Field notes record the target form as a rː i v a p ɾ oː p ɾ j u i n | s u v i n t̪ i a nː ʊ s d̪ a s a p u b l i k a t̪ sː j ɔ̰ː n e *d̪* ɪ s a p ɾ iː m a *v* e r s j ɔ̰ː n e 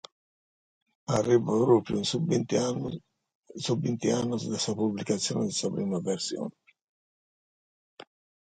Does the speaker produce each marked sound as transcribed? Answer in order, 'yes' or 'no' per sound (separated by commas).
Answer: yes, yes